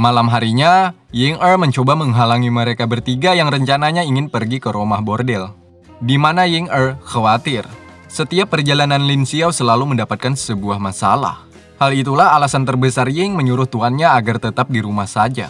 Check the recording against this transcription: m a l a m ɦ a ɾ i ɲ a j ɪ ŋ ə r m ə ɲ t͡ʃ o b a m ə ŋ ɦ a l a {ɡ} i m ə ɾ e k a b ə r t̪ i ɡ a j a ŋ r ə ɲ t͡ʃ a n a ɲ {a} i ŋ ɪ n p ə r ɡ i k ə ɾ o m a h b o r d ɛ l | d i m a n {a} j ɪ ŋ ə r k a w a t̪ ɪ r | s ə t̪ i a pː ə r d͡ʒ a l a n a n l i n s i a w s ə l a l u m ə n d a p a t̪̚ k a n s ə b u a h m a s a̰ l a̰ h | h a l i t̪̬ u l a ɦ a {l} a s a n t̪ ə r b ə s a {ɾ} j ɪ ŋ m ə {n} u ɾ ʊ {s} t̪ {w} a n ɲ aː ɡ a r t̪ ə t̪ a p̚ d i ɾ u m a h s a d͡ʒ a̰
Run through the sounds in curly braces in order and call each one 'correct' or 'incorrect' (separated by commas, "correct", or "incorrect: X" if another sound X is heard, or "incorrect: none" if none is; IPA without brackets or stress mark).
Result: incorrect: ŋ, correct, correct, correct, incorrect: r, incorrect: ɲ, incorrect: h, incorrect: u